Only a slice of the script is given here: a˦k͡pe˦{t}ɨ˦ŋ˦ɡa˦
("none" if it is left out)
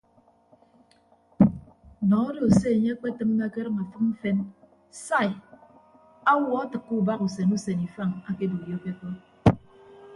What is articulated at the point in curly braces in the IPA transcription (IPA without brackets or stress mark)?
t